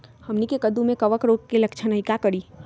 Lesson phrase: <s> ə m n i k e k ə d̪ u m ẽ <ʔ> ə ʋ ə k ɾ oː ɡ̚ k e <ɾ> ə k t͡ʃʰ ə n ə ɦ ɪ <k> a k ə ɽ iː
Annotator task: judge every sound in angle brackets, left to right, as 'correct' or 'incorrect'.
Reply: incorrect: h, incorrect: k, incorrect: l, correct

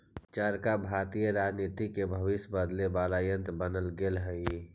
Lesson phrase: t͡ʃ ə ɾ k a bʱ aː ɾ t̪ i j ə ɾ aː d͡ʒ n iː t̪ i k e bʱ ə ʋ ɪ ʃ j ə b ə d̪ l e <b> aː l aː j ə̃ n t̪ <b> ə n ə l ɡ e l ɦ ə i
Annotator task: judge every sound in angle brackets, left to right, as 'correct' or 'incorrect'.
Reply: correct, correct

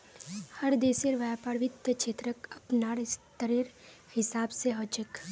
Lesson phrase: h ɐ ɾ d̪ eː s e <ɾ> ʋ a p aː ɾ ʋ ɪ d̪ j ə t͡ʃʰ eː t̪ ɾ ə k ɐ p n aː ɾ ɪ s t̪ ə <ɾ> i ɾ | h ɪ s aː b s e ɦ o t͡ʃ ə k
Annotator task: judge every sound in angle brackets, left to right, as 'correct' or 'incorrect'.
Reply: correct, correct

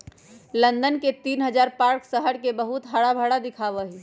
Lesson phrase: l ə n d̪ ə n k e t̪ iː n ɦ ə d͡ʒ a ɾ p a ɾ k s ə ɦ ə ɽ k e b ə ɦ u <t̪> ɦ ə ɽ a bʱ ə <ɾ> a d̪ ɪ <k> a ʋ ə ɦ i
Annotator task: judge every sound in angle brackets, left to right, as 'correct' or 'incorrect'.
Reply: correct, incorrect: ɽ, incorrect: kʰ

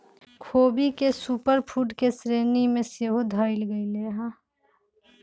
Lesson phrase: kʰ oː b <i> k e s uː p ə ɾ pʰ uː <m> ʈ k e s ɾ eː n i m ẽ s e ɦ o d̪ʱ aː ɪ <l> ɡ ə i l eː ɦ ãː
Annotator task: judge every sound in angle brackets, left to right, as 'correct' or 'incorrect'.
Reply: correct, incorrect: none, correct

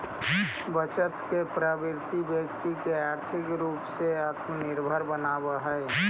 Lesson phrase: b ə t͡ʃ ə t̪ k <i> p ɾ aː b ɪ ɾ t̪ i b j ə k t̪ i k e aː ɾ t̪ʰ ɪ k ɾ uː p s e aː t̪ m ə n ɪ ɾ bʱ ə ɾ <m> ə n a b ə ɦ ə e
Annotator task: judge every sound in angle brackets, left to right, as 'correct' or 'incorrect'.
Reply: incorrect: e, incorrect: b

